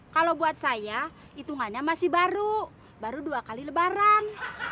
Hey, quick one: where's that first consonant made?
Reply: velum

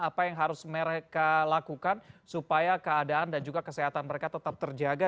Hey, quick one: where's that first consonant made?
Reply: lips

